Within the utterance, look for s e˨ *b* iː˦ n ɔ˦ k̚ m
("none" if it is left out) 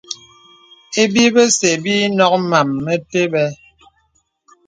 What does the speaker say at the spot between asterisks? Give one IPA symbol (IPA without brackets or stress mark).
b